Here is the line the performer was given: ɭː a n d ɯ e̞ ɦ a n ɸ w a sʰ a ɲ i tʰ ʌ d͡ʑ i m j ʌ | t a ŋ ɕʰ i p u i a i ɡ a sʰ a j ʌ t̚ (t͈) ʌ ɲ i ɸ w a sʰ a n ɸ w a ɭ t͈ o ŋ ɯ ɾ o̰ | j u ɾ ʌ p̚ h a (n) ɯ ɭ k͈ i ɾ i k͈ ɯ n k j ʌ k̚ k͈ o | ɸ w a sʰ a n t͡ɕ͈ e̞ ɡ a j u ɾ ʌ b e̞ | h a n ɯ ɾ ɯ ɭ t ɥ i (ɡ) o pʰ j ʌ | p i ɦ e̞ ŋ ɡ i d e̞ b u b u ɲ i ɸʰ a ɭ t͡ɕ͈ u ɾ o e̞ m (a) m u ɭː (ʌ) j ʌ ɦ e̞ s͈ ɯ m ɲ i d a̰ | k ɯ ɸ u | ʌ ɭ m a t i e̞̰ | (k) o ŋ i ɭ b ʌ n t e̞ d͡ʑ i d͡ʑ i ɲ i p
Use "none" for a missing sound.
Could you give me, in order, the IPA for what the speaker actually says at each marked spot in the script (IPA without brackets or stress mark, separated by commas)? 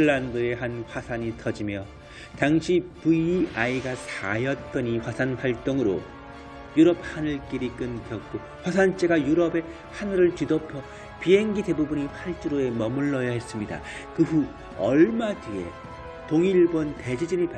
t͈, n, d, ʌ, ʌ, t